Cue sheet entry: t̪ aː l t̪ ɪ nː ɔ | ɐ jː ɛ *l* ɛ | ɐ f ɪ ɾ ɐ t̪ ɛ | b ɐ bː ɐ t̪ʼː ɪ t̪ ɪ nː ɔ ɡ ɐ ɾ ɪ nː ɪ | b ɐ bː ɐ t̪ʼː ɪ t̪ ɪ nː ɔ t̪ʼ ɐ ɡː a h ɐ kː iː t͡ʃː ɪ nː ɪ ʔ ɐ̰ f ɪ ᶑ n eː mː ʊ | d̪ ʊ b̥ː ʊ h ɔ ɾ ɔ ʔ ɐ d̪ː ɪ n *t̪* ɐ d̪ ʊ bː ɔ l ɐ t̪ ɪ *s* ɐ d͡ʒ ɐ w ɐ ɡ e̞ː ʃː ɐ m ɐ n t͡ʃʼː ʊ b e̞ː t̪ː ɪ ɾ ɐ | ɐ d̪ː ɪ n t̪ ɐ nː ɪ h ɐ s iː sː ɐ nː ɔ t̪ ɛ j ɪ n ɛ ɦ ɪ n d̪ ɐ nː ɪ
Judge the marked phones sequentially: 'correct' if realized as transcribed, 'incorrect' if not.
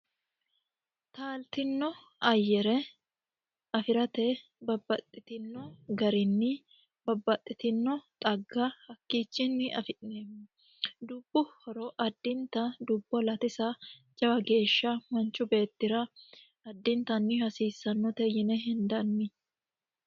incorrect, correct, correct

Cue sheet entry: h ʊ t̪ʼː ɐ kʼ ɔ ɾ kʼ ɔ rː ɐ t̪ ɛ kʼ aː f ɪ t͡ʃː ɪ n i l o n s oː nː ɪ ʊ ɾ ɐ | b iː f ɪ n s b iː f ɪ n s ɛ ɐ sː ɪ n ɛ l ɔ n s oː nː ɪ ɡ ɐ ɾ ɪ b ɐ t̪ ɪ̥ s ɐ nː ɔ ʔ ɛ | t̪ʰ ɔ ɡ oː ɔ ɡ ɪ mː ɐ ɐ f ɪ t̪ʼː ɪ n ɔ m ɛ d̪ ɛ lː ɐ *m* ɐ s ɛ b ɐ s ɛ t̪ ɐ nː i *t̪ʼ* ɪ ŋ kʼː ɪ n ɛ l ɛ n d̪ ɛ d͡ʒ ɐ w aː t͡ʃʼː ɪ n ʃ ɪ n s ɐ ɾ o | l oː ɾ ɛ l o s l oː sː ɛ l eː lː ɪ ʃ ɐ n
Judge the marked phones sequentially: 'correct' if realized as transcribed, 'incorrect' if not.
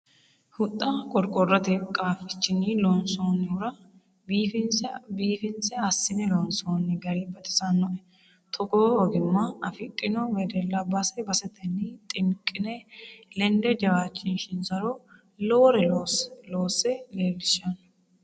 incorrect, correct

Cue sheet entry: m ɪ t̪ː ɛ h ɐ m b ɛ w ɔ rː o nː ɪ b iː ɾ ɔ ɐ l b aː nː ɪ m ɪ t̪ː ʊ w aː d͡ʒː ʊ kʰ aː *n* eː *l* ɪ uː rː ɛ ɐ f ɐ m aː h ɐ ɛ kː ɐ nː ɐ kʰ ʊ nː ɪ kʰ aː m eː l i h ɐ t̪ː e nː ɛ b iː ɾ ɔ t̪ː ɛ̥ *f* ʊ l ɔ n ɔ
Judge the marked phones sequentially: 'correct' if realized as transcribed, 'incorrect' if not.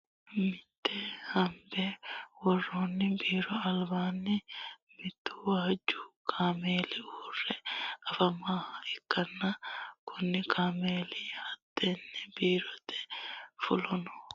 incorrect, correct, correct

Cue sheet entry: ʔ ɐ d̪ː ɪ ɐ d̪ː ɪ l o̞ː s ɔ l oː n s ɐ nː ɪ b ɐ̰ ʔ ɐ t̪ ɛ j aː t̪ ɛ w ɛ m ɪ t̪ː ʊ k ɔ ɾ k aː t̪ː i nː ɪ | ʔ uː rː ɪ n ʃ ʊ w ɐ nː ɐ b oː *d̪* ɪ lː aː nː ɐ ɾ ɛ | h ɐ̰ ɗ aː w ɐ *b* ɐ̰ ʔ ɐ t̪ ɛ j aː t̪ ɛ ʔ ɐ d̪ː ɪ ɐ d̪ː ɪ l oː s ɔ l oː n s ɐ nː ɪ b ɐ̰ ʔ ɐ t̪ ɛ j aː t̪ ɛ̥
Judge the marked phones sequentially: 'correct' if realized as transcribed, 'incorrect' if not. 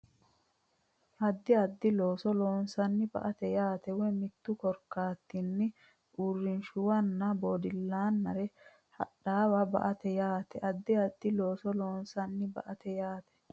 correct, correct

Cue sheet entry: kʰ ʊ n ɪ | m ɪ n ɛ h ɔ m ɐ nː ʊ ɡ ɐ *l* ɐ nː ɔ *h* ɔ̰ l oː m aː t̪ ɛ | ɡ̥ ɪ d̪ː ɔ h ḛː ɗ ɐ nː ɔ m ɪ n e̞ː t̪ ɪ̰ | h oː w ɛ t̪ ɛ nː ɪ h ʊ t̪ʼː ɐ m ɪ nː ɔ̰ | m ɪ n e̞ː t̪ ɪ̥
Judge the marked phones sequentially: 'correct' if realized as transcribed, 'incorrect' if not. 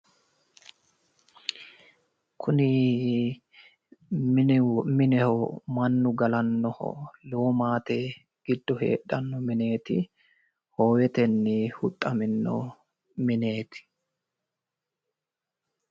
correct, correct

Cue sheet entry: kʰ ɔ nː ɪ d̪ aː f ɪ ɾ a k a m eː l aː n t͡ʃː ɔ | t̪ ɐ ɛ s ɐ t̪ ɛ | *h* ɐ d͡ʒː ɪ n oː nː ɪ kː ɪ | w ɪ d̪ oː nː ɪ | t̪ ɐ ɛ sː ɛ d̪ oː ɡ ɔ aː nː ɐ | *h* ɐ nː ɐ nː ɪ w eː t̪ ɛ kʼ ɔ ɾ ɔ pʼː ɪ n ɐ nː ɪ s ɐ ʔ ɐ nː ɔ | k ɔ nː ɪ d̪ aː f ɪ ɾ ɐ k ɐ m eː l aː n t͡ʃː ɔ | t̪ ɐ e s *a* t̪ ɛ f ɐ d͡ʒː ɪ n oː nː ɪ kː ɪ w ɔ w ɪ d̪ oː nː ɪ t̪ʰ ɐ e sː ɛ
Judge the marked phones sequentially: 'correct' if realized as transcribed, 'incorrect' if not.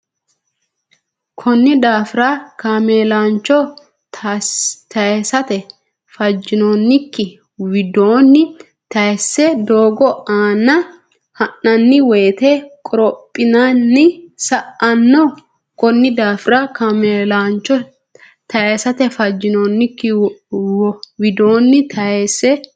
incorrect, correct, incorrect

